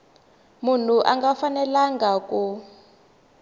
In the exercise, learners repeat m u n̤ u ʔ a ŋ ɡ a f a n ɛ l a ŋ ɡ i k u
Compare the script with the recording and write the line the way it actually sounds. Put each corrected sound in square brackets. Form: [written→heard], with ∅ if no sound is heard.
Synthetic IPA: m u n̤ u ʔ a ŋ ɡ a f a n ɛ l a ŋ ɡ [i→a] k u

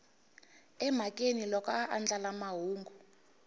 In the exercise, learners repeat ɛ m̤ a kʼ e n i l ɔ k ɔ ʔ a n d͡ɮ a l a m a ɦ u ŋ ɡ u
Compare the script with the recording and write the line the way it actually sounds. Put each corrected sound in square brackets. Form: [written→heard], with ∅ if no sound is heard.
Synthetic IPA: ɛ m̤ a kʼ e n i l ɔ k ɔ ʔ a n d͡ɮ a l a m a ɦ [u→uː] ŋ ɡ u

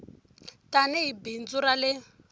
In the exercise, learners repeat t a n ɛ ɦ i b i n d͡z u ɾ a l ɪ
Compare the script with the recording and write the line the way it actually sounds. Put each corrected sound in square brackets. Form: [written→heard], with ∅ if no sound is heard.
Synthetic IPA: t a n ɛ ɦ i b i n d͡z u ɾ a l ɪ

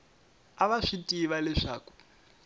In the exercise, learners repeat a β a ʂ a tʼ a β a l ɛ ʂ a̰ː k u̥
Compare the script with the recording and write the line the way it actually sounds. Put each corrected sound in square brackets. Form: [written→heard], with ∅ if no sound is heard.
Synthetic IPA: a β a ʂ [a→i] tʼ [a→i] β a l ɛ ʂ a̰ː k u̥

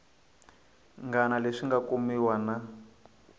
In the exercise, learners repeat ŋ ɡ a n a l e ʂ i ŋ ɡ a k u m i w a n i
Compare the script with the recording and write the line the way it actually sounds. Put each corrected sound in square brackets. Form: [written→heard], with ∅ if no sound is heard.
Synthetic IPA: ŋ ɡ a n a l e ʂ i ŋ ɡ a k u m i w a n [i→a]

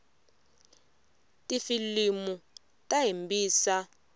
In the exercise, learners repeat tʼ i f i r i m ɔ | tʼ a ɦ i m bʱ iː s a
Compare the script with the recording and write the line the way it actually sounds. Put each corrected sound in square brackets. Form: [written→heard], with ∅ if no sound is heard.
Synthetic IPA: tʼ i f i [r→l] i m [ɔ→u] | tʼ a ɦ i m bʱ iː s a

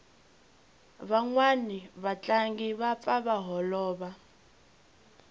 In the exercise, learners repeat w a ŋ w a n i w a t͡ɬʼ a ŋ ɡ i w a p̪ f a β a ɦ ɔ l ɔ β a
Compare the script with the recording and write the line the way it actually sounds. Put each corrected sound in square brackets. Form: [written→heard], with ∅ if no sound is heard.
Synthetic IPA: [w→β] a ŋ w a n i [w→β] a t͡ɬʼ a ŋ ɡ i [w→β] a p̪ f a β a ɦ ɔ l [ɔ→ɔː] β a

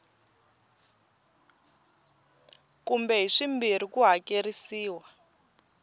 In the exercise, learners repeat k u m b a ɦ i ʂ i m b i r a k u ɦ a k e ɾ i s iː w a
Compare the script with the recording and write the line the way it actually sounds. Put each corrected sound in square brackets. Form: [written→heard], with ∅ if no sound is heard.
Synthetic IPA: k u m b [a→ɛ] ɦ i ʂ i m b i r [a→i] k u ɦ a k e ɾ i s iː w a

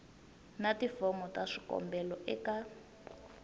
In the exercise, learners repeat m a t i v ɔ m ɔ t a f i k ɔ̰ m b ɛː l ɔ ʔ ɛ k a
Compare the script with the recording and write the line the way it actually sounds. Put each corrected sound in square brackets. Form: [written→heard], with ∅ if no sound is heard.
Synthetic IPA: [m→n] a t i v ɔ m ɔ t a [f→ʂ] i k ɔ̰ m b [ɛː→ɛ] l ɔ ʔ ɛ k a

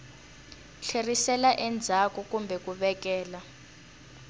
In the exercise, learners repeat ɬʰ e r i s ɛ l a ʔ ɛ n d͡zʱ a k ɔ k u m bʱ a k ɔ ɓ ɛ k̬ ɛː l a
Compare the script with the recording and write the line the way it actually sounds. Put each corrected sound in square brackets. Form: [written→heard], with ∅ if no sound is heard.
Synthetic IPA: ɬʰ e r i s ɛ l a ʔ ɛ n d͡zʱ a k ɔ k u m bʱ [a→ɛ] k [ɔ→u] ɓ ɛ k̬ ɛː l a

